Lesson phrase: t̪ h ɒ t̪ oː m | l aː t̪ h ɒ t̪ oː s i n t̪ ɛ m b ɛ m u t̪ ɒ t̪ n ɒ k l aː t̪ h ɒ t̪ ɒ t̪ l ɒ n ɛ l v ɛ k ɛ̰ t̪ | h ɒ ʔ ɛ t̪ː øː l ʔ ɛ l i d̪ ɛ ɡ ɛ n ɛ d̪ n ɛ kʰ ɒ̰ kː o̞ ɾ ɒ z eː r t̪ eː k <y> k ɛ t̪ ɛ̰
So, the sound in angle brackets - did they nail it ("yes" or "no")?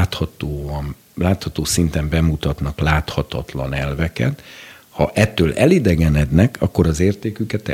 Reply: yes